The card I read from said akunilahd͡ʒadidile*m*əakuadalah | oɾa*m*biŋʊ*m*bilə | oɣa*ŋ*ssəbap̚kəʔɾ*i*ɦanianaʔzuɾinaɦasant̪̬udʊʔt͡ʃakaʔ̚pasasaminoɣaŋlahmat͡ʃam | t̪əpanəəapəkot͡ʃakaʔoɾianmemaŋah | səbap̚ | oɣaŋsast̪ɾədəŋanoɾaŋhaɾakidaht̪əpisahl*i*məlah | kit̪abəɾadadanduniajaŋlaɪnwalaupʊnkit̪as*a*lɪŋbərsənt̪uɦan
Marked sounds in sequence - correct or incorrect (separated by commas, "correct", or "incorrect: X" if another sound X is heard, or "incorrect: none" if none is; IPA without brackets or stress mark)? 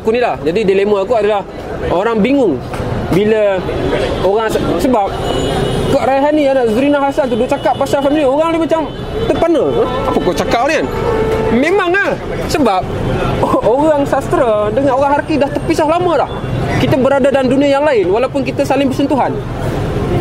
correct, incorrect: ŋ, incorrect: ŋ, correct, incorrect: a, incorrect: a, correct